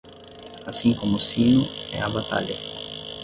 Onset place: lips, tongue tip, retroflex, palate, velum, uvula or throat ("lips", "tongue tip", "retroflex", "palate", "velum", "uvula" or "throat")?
tongue tip